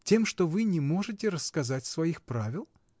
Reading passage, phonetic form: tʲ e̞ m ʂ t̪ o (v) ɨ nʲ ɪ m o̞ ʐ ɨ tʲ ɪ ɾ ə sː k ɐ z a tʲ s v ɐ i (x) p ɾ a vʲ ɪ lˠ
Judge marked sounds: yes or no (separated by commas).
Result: yes, yes